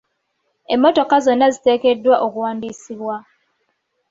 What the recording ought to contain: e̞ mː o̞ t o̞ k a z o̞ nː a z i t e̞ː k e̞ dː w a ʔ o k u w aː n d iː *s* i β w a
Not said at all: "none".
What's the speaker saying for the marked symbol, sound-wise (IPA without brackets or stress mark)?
s